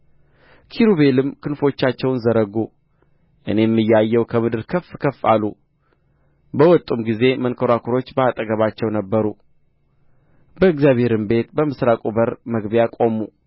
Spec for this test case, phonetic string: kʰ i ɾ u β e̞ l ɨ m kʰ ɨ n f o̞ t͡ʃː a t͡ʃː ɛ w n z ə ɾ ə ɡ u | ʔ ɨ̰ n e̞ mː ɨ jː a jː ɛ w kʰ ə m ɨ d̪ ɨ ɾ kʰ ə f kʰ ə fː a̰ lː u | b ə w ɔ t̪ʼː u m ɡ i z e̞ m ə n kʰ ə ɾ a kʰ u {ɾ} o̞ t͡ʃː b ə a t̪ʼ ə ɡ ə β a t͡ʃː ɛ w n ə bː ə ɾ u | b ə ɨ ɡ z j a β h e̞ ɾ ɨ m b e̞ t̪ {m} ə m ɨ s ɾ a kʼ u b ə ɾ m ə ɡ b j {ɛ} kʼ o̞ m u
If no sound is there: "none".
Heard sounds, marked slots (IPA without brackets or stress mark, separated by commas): ɾ, b, a